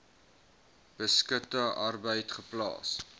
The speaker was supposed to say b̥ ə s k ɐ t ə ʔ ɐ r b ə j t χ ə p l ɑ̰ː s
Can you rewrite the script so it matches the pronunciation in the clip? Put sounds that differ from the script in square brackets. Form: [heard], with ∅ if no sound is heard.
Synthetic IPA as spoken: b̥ ə s k [ə] t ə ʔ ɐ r b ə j t χ ə p l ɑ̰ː s